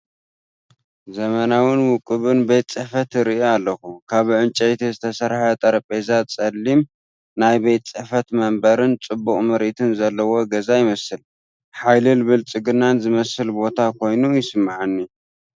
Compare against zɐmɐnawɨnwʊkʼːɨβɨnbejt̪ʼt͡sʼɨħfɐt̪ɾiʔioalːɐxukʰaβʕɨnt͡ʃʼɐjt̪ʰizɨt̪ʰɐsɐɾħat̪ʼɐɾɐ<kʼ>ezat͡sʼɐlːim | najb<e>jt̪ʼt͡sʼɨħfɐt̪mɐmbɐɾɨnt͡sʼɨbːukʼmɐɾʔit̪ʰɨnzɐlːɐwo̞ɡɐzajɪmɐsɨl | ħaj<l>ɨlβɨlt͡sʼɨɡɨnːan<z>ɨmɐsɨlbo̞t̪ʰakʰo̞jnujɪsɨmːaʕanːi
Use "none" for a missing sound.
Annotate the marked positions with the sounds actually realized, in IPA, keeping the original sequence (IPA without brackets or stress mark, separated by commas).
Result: pʼ, e, l, z